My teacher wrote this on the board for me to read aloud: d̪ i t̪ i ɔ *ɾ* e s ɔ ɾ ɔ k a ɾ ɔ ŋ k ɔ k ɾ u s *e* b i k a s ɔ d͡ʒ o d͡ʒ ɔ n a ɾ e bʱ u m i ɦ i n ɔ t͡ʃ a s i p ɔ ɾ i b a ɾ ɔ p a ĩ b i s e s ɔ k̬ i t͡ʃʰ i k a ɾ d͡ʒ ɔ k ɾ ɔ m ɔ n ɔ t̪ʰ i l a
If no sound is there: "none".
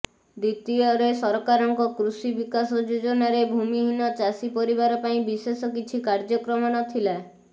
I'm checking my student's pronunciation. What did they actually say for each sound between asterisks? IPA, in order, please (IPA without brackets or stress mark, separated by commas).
ɾ, i